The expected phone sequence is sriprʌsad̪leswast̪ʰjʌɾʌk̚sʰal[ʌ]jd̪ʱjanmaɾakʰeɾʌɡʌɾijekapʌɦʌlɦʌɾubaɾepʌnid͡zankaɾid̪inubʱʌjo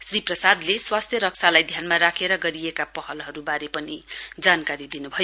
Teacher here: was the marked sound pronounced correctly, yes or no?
no